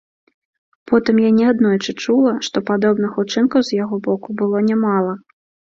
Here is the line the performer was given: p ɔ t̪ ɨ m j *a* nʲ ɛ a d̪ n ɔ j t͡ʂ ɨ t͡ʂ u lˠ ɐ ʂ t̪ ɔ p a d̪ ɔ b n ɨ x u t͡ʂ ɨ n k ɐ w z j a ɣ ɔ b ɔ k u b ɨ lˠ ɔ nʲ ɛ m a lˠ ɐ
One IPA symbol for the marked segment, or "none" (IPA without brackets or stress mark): a